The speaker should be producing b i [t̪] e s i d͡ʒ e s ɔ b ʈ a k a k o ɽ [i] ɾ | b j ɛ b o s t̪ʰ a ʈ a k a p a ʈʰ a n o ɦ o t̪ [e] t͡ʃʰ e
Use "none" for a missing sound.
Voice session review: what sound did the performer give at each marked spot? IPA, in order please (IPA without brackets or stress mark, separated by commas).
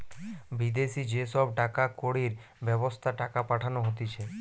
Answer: d̪, i, i